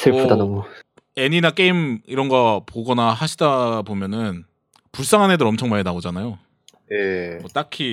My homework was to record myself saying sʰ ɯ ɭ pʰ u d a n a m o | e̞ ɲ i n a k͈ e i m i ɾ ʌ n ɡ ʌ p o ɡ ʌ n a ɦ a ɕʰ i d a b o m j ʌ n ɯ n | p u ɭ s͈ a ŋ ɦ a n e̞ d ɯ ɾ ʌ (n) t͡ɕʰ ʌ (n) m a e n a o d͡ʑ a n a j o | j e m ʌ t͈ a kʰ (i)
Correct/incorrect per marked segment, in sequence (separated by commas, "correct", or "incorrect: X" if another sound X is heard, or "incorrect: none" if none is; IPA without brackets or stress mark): incorrect: m, incorrect: ŋ, correct